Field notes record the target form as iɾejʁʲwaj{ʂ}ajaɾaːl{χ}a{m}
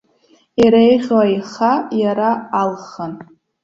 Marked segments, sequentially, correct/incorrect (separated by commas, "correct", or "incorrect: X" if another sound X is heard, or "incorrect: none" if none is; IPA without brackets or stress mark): incorrect: χ, correct, incorrect: n